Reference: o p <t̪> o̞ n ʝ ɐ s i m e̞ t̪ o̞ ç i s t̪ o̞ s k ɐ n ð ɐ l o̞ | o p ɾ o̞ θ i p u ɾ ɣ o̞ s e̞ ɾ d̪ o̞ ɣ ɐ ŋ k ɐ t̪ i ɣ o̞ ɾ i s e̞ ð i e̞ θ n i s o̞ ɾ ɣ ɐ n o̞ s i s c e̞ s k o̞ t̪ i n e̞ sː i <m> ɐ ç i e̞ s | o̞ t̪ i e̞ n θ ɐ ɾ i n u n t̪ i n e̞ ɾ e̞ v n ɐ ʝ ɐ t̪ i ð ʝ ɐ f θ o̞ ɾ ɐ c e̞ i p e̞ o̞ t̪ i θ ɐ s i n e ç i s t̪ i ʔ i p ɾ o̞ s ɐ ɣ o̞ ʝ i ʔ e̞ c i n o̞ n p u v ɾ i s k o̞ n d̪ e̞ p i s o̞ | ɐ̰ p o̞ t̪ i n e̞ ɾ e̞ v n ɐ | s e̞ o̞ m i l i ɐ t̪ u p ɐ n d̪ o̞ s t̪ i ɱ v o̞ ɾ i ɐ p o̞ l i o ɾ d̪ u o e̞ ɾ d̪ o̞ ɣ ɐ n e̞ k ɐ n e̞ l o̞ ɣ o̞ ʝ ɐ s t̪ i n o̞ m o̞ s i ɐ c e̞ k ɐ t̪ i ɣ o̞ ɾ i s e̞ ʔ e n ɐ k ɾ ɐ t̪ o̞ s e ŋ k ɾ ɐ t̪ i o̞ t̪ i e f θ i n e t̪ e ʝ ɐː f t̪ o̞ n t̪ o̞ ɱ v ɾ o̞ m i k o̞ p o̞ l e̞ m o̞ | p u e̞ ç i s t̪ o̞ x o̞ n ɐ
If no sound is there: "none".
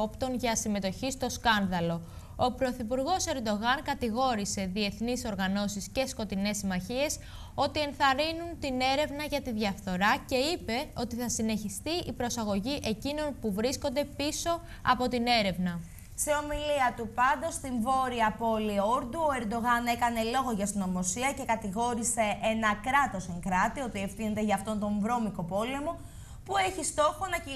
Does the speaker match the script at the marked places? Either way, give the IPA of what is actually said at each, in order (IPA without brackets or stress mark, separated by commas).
t̪, m